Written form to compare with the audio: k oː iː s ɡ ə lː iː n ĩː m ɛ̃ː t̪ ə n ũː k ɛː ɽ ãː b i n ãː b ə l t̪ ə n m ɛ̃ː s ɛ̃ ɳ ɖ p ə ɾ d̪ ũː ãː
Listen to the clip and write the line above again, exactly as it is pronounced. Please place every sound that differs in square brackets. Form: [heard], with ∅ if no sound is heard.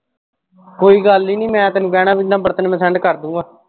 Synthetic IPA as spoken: k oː iː [∅] ɡ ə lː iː n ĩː m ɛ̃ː t̪ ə n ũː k ɛː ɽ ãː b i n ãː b ə [ɾ] t̪ ə n m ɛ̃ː s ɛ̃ ɳ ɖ [k] ə ɾ d̪ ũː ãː